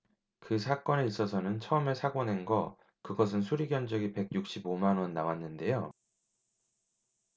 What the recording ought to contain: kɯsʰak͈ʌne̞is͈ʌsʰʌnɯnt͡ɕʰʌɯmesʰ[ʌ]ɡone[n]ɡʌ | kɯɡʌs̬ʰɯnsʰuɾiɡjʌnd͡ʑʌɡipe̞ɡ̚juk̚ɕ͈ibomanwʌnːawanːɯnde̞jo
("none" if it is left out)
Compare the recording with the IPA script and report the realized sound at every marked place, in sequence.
a, n

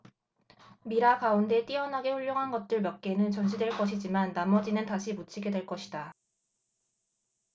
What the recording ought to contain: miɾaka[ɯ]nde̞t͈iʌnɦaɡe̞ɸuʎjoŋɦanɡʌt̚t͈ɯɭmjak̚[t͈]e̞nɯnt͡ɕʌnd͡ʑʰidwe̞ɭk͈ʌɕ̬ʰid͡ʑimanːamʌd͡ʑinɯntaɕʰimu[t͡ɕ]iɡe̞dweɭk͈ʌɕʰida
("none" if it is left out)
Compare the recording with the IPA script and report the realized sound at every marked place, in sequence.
u, k͈, t͡ɕʰ

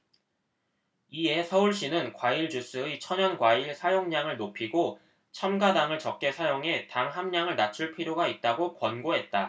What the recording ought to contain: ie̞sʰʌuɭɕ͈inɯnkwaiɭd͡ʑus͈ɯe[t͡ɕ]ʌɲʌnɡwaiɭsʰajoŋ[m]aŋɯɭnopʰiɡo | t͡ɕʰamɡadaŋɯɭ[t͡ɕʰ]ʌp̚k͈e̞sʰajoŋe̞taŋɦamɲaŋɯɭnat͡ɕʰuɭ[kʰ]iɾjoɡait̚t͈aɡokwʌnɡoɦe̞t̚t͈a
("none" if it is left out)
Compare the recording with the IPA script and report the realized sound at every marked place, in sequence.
t͡ɕʰ, ɲ, t͡ɕ, pʰ

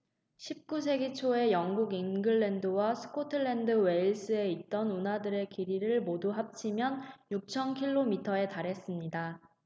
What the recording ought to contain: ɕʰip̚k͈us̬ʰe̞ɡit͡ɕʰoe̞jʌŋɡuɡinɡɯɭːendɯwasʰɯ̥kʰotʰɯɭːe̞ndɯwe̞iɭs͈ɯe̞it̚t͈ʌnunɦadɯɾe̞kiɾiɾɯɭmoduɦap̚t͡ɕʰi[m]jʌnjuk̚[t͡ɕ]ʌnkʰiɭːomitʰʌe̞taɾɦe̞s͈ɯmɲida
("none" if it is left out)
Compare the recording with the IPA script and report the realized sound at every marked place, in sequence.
m, t͡ɕʰ

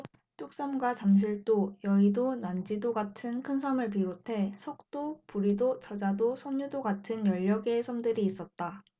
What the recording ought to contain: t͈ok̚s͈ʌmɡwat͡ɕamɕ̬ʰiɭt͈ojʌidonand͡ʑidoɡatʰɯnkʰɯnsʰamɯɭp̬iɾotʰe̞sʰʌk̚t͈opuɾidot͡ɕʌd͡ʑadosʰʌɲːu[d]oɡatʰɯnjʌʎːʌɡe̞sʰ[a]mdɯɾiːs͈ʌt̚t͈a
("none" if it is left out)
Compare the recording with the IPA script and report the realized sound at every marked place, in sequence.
d, ʌ

